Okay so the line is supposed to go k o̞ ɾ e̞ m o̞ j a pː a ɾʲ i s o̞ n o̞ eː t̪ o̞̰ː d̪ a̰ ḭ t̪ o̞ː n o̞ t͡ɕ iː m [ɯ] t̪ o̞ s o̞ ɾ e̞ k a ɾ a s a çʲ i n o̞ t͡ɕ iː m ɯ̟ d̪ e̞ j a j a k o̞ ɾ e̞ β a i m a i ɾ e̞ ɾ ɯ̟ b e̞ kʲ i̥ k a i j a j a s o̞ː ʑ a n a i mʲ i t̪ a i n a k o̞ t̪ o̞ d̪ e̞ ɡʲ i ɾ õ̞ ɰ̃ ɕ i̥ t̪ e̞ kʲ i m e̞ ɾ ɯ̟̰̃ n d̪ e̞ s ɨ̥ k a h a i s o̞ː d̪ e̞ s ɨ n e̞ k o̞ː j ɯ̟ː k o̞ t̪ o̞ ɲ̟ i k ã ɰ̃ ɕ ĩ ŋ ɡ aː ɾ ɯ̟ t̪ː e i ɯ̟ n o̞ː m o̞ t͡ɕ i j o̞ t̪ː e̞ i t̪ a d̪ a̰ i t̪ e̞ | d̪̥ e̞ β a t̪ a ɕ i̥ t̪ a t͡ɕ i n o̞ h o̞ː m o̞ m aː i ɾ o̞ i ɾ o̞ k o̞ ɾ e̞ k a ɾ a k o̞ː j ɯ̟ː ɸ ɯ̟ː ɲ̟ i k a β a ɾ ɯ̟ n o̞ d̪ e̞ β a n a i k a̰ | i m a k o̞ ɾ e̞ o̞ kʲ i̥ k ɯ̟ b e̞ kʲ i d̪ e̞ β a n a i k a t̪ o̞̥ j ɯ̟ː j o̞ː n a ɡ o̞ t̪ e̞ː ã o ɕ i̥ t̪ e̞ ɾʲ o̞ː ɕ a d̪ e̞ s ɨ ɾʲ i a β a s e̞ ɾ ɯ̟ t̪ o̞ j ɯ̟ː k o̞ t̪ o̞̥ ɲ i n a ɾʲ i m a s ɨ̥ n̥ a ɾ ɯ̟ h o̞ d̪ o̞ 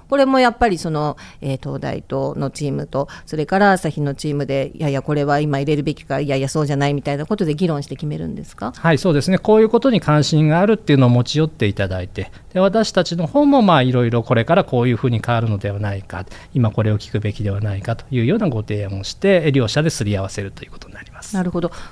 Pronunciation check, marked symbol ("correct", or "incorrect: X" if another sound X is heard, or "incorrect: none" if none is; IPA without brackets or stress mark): correct